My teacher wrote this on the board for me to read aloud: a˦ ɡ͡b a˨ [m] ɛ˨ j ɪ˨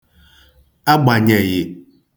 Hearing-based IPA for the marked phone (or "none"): ɲ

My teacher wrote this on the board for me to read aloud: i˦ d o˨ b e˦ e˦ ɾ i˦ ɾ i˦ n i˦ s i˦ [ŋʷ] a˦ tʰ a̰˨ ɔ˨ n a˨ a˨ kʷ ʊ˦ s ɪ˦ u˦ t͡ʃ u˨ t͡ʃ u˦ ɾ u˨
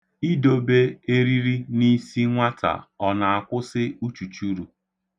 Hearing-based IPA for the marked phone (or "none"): ŋʷ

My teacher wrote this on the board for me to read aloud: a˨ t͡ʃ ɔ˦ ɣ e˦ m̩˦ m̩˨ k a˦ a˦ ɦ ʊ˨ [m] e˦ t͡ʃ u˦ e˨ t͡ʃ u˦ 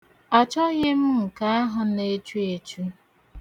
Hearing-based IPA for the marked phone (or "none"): n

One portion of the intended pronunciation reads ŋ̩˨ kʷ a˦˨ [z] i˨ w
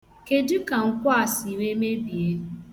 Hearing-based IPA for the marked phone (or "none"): s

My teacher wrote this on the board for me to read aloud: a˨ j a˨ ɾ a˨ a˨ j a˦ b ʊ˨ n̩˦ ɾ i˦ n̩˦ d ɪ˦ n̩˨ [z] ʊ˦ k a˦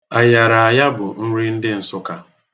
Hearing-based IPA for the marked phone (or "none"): s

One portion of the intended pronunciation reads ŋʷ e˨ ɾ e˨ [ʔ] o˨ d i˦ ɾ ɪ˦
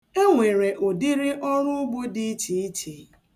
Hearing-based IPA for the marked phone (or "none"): ʔ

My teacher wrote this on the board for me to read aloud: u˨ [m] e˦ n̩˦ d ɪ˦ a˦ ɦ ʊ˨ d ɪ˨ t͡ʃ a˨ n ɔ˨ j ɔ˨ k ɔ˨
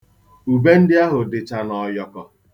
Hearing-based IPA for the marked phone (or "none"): b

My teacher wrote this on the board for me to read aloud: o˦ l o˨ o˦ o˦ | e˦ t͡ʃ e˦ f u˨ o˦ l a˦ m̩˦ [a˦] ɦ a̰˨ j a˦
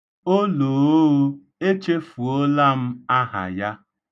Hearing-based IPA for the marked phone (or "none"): a˦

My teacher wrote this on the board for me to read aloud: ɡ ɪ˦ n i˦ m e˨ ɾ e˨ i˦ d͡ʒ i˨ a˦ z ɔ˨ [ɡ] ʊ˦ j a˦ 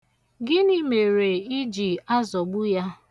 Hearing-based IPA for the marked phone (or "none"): ɡ͡b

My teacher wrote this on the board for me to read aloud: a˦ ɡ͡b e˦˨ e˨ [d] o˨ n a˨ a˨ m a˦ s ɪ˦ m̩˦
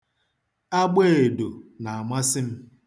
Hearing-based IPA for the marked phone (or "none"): d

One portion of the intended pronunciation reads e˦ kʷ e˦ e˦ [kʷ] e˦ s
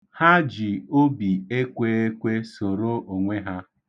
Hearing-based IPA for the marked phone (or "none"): kʷ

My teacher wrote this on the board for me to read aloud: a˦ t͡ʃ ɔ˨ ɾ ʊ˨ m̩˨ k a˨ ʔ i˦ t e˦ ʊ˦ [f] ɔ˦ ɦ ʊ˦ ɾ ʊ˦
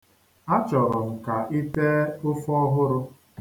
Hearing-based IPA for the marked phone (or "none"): f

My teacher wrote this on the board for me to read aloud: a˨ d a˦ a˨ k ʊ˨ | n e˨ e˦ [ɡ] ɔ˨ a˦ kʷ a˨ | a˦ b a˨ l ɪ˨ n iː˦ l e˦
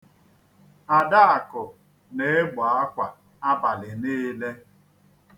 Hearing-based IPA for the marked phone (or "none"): ɡ͡b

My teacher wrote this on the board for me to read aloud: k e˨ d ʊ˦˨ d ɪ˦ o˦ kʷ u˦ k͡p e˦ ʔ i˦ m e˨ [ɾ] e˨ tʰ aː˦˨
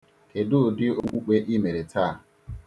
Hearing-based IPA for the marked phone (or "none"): ɾ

